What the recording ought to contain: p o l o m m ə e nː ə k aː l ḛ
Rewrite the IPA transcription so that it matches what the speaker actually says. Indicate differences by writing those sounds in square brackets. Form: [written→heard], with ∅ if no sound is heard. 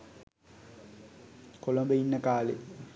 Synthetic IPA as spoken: [p→k] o l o m [m→b] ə [e→i] nː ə k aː l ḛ

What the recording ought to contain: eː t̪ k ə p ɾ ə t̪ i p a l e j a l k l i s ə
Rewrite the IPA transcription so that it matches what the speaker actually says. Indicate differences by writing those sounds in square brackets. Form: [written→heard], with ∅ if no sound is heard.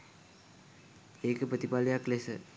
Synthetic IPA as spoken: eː [t̪→∅] k ə p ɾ ə t̪ i p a l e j a [l→∅] k l [i→e] s ə

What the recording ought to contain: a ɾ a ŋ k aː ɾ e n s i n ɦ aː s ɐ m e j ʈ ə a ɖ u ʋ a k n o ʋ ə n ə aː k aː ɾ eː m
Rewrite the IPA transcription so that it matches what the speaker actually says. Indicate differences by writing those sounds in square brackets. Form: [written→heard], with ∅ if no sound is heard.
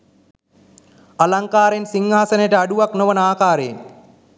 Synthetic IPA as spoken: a [ɾ→l] a ŋ k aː ɾ e n s i [n→ŋ] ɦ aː s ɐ [m→n] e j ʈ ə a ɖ u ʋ a k n o ʋ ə n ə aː k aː ɾ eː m

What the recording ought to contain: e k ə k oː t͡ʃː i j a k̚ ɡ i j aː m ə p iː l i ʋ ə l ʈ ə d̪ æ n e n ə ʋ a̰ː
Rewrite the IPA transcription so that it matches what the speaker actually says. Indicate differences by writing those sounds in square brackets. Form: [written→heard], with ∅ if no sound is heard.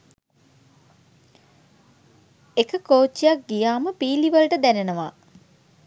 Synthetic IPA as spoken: e k ə k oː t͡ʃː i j a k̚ ɡ i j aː m ə p iː l i ʋ ə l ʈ ə d̪ æ n e n ə ʋ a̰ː

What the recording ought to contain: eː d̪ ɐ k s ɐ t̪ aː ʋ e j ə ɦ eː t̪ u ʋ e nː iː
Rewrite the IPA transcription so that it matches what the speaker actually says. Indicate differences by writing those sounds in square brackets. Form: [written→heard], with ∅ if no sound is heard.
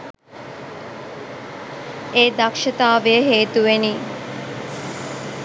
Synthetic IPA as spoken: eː d̪ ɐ k [s→ʃ] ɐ t̪ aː ʋ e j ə ɦ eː t̪ u ʋ e [nː→n] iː

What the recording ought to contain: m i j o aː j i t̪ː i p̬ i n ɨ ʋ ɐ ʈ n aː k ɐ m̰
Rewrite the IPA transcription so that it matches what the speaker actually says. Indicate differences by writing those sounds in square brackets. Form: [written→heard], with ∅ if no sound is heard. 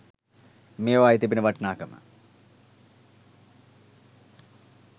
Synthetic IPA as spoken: m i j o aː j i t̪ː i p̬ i n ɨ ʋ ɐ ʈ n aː k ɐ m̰

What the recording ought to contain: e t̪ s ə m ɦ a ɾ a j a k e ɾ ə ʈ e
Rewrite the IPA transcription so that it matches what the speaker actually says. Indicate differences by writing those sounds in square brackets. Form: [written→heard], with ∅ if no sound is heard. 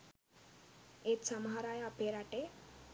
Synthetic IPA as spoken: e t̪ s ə m ɦ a ɾ a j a [k→p] e ɾ [ə→a] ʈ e

